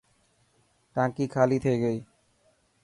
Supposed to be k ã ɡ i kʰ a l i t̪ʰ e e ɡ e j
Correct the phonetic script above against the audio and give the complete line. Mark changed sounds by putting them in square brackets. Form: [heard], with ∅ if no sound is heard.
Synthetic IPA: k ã [k] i kʰ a l i t̪ʰ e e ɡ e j